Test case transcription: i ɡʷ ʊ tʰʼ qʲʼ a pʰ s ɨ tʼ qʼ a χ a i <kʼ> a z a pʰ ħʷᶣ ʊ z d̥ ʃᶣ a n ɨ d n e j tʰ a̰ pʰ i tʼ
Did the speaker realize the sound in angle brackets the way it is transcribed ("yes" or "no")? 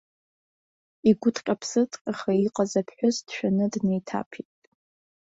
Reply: no